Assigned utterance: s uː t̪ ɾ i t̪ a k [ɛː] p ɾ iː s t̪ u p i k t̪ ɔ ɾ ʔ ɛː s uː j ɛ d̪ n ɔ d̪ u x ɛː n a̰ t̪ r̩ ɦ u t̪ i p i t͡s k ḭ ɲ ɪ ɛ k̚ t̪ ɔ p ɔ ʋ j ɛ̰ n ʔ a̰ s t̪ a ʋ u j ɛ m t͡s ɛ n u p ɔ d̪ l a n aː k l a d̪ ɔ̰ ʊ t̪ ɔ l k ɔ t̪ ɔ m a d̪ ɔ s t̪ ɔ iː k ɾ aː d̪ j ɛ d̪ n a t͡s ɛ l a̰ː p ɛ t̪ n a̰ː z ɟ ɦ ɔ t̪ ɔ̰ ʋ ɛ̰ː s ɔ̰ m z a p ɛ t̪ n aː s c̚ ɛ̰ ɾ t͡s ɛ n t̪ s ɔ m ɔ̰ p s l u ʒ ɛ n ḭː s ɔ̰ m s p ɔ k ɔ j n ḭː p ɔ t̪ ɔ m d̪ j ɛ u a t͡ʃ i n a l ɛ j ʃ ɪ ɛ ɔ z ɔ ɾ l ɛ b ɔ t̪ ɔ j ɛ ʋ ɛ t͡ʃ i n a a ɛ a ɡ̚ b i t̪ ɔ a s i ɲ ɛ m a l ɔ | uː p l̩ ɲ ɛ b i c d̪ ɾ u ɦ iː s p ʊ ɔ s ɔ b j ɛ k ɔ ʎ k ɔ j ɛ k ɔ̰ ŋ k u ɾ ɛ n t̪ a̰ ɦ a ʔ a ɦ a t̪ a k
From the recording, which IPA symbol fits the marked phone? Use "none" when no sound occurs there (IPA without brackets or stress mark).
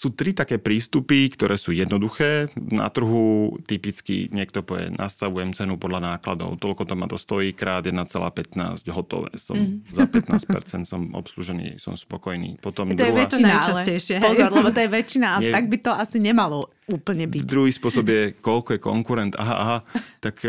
ɛː